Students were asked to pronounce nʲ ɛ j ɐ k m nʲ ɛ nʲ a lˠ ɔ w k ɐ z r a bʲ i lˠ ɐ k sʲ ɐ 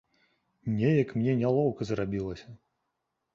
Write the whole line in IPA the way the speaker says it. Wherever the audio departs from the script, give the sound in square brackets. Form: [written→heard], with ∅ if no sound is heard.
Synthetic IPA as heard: nʲ ɛ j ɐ k m nʲ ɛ nʲ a lˠ ɔ w k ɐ z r a bʲ i lˠ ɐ [k→∅] sʲ ɐ